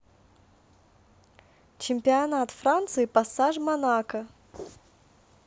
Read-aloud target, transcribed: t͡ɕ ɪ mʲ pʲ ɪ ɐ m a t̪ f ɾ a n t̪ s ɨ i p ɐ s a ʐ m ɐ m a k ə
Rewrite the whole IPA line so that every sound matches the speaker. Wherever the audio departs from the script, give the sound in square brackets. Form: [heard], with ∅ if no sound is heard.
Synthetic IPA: t͡ɕ ɪ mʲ pʲ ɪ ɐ [n] a t̪ f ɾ a n t̪ s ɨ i p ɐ s a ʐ m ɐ [n] a k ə